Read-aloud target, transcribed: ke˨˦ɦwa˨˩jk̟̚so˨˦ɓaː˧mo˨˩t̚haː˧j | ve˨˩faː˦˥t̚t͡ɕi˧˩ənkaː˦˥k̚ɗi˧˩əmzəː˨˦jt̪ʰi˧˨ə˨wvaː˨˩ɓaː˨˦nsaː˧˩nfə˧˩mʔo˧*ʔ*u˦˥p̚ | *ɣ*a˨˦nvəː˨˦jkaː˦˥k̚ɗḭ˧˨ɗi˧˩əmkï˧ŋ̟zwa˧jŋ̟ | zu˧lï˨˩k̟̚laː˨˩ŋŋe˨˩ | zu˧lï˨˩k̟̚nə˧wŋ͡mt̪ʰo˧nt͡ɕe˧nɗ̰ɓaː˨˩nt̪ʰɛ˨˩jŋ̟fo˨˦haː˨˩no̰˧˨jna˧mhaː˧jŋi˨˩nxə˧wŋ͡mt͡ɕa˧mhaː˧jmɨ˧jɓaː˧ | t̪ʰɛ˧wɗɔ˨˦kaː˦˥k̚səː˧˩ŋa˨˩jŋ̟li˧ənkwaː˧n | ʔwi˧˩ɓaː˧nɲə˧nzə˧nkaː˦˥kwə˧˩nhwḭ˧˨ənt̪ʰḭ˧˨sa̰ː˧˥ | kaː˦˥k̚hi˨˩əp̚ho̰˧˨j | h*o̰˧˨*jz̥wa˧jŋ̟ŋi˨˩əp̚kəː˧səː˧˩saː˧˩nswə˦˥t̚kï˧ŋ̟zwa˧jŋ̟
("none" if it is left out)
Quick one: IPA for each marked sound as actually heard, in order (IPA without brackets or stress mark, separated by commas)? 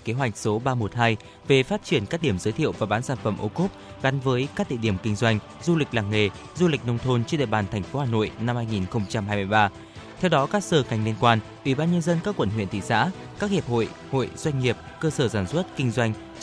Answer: k, ɣ, o̰˧˨